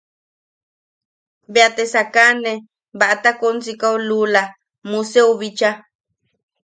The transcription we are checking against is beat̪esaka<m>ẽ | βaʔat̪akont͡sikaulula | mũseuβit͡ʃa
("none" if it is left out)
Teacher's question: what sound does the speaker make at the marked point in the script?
n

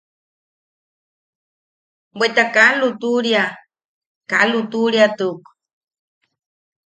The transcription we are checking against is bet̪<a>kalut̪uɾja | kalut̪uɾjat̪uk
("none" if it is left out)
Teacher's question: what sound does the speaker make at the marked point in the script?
a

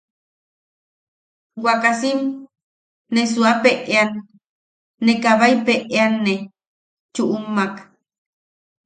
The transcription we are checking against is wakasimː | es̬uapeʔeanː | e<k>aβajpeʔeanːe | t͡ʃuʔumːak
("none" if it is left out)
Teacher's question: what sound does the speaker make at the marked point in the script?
k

